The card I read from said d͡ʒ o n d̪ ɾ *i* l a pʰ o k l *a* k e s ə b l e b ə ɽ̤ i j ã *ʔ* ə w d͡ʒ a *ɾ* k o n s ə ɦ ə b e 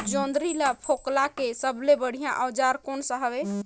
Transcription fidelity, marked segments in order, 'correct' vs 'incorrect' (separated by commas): correct, correct, correct, correct